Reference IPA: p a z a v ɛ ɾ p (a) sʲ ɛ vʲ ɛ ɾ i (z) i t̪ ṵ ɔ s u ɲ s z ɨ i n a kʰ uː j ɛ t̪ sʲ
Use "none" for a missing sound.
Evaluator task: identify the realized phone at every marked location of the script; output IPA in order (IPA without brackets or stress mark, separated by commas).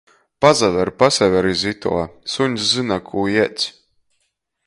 a, z